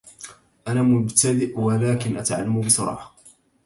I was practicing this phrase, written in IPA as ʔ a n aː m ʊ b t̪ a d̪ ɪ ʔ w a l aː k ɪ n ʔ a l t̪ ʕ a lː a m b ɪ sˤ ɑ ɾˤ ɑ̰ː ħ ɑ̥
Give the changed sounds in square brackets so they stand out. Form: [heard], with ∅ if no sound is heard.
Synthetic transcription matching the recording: ʔ a n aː m ʊ b t̪ a d̪ ɪ ʔ w a l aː k ɪ n ʔ a [∅] t̪ ʕ a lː a m b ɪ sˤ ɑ ɾˤ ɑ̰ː ħ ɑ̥

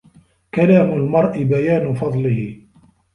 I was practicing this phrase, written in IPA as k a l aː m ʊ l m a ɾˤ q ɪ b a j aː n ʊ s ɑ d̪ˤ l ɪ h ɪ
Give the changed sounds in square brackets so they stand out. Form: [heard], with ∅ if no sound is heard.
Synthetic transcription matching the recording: k a l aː m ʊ l m [ɑ] ɾˤ [ʔ] ɪ b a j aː n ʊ [f] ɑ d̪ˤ l ɪ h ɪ

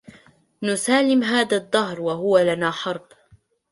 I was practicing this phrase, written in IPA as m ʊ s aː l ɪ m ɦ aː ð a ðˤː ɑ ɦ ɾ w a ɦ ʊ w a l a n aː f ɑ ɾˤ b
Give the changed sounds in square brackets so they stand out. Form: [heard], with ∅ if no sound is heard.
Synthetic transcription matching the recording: [n] ʊ s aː l ɪ m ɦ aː ð a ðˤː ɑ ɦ ɾ w a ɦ ʊ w a l a n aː [ħ] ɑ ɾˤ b

